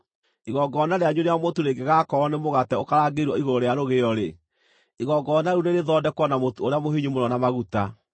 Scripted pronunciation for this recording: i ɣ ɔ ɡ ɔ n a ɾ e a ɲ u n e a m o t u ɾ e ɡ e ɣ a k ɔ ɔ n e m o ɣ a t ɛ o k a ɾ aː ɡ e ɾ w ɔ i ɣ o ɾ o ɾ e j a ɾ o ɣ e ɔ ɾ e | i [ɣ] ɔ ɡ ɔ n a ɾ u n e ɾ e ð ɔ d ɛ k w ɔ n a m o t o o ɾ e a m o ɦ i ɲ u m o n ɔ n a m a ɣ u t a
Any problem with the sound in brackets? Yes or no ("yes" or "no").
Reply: no